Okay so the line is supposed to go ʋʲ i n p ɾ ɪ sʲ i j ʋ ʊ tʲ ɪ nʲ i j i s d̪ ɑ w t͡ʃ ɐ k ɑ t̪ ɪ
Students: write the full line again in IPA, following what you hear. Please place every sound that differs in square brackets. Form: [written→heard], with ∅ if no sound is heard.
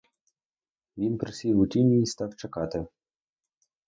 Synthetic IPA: ʋʲ i n p ɾ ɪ sʲ i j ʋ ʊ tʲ [ɪ→i] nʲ i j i s [d̪→t̪] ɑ w t͡ʃ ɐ k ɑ t̪ ɪ